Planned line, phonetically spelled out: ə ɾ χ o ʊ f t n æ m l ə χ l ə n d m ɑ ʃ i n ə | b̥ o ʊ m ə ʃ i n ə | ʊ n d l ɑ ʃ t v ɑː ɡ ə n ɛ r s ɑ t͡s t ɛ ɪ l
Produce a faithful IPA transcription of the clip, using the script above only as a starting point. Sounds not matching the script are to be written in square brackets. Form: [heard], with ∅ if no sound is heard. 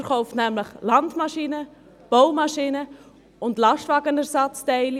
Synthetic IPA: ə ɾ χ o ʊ f t n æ m l ə χ l [ɑ] n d m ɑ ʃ i n ə | b̥ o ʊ m [ɑ] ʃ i n ə | ʊ n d l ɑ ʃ t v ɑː ɡ ə n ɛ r s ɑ t͡s t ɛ ɪ l